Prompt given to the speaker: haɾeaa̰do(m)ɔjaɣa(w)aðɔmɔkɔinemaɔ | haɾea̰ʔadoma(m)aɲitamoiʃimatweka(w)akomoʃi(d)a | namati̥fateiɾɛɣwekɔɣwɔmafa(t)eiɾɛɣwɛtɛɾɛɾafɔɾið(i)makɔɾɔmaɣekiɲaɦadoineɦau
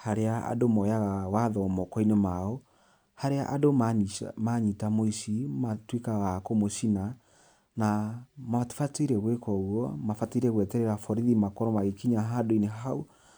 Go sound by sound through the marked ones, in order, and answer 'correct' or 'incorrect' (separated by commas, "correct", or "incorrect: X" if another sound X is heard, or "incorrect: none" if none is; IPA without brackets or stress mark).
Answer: correct, correct, correct, incorrect: ɣ, incorrect: n, correct, correct